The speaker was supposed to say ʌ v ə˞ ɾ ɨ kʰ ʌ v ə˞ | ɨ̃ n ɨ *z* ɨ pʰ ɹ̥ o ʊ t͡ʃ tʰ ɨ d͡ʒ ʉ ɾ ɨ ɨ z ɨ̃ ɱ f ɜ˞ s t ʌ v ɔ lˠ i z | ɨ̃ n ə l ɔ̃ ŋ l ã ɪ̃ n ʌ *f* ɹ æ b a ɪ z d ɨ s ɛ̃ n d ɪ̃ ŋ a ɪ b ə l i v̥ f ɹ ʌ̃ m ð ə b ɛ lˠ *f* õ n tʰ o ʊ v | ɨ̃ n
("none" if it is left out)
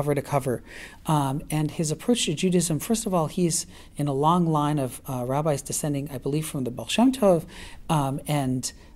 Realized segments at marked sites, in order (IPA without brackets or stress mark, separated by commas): z, v, ʃ